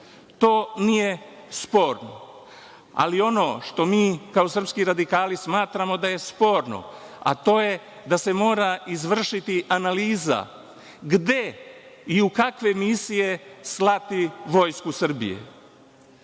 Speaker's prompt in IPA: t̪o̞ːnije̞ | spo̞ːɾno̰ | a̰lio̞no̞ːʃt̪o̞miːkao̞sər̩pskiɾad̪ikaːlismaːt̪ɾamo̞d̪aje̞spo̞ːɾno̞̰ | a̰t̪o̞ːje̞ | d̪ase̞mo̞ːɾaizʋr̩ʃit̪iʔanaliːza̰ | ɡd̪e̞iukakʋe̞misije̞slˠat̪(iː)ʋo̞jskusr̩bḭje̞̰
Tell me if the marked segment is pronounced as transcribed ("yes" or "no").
no